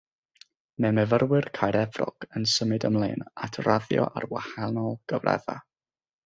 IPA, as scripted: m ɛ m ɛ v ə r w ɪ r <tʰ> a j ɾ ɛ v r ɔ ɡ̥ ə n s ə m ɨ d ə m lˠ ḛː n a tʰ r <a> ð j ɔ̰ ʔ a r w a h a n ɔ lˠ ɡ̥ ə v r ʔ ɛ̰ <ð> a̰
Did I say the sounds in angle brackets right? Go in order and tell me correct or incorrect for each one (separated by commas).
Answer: incorrect, correct, correct